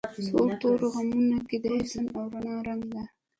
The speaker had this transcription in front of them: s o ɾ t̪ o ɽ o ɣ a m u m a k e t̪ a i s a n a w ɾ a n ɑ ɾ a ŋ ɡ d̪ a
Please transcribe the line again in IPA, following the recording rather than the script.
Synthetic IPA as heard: s o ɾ t̪ o ɾ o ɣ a m u n a k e d̪ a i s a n a w ɾ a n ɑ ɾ a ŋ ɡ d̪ a